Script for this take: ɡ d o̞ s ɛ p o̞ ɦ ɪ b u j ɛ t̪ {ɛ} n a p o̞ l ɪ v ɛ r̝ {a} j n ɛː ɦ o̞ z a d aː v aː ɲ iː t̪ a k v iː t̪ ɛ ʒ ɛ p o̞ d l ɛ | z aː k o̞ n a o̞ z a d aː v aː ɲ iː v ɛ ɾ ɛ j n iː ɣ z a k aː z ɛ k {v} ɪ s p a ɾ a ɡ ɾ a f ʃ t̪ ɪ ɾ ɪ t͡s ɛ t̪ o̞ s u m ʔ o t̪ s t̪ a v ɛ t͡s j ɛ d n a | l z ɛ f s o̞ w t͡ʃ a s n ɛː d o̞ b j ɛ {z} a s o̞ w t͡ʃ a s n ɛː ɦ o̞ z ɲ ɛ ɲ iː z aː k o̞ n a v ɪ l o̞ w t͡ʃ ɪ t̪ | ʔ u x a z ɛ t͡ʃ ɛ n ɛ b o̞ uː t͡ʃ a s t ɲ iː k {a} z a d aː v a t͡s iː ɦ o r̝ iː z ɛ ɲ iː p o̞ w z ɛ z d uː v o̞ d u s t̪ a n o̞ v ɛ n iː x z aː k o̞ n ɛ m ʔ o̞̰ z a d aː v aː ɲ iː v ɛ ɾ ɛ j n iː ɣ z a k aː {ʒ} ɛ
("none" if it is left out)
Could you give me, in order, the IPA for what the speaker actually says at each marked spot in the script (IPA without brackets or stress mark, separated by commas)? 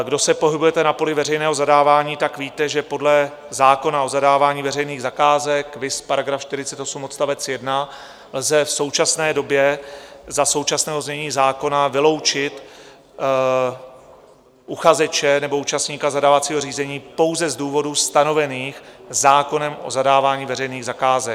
ɛ, ɛ, v, z, a, z